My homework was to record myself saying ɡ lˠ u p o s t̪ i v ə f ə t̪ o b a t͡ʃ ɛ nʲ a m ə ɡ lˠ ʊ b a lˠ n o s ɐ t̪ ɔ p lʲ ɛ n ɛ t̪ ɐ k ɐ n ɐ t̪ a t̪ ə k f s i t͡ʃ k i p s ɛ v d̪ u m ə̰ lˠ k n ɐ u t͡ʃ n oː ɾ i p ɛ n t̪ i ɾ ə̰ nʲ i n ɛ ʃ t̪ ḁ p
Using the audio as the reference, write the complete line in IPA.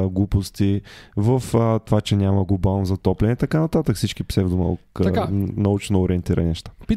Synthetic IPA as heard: ɡ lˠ u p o s t̪ i v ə f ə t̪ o v a t͡ʃ ɛ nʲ a m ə ɡ lˠ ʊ b a lˠ n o z ɐ t̪ ɔ p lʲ ɛ n ɛ t̪ ɐ k a n ɐ t̪ a t̪ ə k f s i t͡ʃ k i p s ɛ v d̪ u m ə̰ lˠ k n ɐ u t͡ʃ n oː ɾ i ɛ n t̪ i ɾ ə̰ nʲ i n ɛ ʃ t̪ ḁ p